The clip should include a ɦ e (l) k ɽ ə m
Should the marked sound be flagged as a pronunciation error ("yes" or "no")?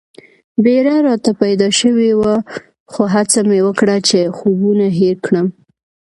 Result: yes